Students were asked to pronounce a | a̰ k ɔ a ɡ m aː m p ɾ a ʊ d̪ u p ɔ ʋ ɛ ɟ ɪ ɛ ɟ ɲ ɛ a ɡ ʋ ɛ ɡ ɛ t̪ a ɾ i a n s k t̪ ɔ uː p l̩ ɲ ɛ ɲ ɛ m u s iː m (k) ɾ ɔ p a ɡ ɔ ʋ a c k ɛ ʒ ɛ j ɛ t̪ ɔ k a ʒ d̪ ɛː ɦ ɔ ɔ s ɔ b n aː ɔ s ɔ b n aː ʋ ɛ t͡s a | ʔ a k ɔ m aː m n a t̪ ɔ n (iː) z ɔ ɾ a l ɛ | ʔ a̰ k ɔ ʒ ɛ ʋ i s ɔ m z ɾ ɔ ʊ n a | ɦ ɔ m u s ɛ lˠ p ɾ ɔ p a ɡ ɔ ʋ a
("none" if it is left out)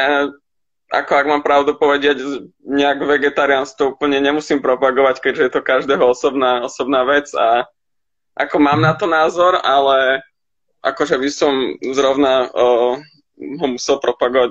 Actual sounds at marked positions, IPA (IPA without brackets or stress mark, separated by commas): p, aː